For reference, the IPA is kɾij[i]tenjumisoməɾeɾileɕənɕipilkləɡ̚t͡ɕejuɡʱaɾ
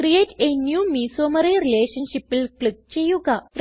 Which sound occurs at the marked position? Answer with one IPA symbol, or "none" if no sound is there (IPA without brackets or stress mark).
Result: e